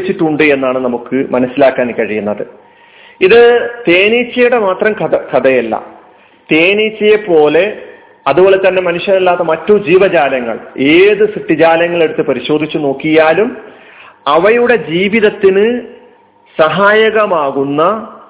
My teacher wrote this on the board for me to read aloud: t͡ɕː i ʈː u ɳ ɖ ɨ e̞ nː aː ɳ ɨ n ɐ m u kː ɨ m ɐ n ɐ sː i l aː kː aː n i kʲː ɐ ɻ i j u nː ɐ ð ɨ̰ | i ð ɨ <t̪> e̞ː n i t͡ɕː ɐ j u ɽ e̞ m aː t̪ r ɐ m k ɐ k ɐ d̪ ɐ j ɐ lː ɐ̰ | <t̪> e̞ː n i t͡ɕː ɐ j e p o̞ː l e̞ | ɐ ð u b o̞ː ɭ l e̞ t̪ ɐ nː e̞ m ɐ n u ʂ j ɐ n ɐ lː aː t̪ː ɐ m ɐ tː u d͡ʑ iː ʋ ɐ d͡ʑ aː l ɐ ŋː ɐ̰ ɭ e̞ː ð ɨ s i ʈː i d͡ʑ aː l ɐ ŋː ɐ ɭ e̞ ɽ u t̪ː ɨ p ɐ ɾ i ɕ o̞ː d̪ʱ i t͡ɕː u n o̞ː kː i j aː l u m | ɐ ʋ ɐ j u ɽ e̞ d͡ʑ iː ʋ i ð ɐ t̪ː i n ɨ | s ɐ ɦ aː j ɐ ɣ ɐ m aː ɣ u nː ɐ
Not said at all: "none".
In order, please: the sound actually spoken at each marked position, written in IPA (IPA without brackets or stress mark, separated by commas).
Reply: t̪, t̪